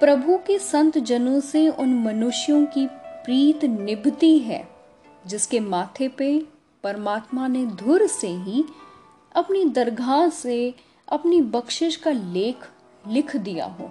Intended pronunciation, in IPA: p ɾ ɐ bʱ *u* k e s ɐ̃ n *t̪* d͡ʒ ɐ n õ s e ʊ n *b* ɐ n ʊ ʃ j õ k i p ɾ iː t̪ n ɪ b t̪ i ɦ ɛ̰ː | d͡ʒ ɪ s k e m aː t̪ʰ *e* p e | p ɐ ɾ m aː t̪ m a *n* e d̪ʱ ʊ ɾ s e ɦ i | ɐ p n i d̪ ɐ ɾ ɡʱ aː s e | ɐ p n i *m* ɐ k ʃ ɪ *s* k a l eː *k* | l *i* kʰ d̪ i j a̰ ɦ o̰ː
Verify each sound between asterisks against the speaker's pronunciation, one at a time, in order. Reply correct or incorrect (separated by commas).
correct, correct, incorrect, correct, correct, incorrect, incorrect, incorrect, incorrect